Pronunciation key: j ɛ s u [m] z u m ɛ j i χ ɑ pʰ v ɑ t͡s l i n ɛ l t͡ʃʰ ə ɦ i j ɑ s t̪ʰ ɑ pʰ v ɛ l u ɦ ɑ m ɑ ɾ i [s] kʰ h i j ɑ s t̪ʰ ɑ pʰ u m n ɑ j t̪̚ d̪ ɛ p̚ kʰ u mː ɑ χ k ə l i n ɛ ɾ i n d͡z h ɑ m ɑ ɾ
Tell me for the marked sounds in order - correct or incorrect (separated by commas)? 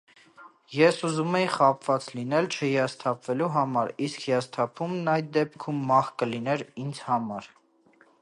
incorrect, correct